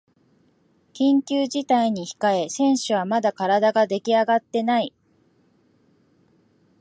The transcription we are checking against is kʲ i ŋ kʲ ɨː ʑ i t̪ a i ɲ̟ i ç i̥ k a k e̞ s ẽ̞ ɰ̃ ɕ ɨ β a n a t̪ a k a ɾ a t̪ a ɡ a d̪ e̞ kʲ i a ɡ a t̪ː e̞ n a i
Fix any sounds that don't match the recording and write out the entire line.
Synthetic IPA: kʲ ĩ ŋ kʲ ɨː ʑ i t̪ a i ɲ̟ i ç i̥ k a e̞ s ẽ̞ ɰ̃ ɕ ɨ β a m a d̪ a k a ɾ a d̪ a ɡ a d̪ e̞ kʲ i a ɡ a t̪ː e̞ n a i